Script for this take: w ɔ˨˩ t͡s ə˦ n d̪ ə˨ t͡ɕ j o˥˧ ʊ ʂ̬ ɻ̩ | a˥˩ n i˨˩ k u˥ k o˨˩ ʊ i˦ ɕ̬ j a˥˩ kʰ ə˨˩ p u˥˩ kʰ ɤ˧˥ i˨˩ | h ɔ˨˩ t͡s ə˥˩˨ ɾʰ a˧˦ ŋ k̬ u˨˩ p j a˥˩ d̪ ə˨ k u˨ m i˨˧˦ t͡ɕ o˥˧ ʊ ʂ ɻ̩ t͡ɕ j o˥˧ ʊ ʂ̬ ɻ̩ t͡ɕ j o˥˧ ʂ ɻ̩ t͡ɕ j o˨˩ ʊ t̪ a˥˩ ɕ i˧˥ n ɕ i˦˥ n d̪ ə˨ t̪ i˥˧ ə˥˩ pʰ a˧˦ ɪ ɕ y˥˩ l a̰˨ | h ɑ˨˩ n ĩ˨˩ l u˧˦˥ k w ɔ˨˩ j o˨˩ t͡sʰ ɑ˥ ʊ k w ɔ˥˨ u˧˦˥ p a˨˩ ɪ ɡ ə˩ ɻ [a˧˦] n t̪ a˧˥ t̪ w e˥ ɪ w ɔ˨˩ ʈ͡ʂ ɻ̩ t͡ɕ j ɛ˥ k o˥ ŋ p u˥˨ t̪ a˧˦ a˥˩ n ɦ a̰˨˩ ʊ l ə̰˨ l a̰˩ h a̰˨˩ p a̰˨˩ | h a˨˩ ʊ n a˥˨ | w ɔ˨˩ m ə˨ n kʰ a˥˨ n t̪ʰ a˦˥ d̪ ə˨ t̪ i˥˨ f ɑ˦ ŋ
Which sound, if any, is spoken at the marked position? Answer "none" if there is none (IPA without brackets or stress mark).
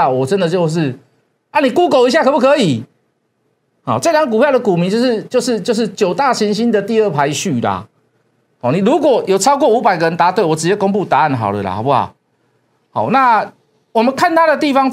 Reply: ə˧˦